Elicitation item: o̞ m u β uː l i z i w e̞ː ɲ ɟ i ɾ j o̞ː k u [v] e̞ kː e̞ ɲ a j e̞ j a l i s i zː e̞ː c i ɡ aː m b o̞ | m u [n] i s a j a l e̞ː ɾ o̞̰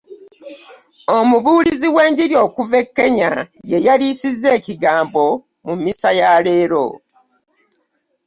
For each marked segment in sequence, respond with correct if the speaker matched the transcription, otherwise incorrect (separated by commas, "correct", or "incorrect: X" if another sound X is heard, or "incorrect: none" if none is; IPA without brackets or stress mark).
correct, incorrect: m